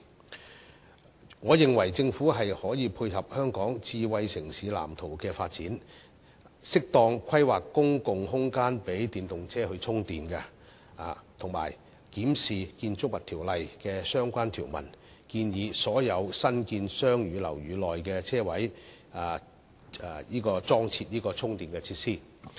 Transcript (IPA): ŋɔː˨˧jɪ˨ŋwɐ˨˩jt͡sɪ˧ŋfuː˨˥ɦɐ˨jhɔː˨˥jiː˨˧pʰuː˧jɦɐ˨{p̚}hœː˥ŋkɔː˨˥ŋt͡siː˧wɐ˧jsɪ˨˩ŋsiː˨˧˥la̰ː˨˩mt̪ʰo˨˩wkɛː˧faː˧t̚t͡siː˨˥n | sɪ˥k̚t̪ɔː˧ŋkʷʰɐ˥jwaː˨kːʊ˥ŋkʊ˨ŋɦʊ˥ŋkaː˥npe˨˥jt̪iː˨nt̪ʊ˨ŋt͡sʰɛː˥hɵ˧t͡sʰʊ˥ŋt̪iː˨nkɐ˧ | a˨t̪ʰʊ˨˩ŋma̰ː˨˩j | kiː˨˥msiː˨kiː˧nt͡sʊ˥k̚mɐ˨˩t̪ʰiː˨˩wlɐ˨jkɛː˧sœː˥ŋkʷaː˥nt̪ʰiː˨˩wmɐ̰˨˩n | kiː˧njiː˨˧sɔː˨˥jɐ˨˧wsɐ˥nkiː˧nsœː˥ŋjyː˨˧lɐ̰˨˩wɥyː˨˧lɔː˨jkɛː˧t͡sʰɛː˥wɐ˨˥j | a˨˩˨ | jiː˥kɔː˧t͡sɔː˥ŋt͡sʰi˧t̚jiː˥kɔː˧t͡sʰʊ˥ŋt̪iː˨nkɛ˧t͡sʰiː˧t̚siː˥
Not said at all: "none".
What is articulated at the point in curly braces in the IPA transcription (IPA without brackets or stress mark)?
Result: p̚